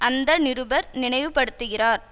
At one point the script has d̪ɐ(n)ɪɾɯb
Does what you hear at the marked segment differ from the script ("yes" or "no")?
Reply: no